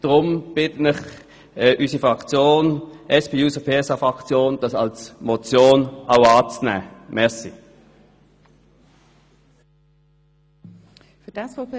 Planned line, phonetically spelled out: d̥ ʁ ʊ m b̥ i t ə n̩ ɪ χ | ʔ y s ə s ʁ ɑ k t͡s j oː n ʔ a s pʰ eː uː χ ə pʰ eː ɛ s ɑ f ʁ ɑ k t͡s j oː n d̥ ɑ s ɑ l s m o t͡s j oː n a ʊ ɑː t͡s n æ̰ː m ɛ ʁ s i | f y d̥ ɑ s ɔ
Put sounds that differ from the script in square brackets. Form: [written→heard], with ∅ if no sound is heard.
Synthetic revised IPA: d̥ ʁ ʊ m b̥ [i→ɪ] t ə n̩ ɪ χ | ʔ y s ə [s→f] ʁ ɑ k t͡s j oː n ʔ [a→ɛ] s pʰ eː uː [χ→s] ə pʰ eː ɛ s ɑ f ʁ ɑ k t͡s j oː n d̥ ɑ s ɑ l s m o t͡s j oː n a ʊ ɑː t͡s n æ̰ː m ɛ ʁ s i | f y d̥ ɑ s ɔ